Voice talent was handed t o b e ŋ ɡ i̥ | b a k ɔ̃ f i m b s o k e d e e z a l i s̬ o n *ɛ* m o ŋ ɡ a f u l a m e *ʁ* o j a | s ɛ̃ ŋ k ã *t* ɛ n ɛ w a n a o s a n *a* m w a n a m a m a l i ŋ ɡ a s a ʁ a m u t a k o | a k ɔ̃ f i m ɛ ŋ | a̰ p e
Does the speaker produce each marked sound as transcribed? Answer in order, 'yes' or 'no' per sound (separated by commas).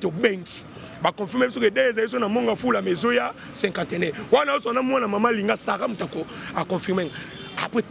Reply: no, no, yes, yes